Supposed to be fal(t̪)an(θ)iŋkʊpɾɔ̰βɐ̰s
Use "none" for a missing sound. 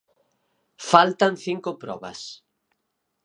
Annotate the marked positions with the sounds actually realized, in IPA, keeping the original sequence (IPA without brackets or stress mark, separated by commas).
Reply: t̪, θ